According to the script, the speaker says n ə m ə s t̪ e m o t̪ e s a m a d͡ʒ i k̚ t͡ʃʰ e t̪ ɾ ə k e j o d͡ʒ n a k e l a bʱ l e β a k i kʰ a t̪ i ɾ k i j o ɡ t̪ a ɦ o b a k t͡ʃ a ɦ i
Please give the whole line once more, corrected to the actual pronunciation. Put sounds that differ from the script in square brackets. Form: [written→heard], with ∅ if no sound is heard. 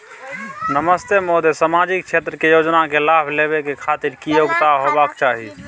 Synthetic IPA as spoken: n ə m ə s t̪ e m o [t̪→d̪] e s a m a d͡ʒ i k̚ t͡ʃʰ e t̪ ɾ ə k e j o d͡ʒ n a k e l a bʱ l e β [a→e] k [i→e] kʰ a t̪ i ɾ k i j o ɡ t̪ a ɦ o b a k t͡ʃ a ɦ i